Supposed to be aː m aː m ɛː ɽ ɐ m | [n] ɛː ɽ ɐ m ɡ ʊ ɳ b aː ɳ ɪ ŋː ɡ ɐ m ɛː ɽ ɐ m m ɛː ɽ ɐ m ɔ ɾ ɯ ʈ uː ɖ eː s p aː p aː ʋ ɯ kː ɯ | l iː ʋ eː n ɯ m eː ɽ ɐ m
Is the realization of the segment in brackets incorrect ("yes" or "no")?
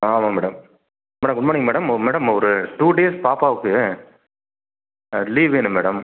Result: yes